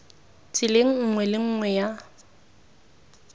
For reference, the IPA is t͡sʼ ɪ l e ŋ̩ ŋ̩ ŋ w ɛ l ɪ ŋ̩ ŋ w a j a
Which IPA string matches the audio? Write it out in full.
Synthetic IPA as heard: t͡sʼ ɪ l e ŋ̩ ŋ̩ ŋ w ɛ l ɪ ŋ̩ ŋ w ɛ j a